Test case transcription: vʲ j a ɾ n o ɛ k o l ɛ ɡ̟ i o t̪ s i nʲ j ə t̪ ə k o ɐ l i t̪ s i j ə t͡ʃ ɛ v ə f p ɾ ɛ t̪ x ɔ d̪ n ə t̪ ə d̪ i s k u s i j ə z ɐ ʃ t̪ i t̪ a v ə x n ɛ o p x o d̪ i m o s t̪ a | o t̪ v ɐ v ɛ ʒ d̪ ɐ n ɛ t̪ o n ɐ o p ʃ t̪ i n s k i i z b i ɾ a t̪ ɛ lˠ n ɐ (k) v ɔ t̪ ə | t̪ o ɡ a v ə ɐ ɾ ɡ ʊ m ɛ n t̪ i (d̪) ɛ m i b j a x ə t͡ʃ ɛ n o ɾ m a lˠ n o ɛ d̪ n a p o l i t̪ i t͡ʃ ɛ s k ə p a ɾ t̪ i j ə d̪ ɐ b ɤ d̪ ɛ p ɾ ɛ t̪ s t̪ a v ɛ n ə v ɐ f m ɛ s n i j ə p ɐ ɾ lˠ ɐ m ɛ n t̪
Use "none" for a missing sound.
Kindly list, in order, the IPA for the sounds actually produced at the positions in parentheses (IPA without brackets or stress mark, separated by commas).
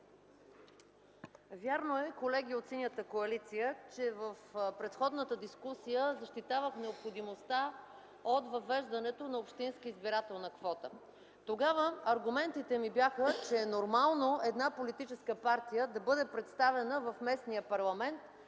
k, t̪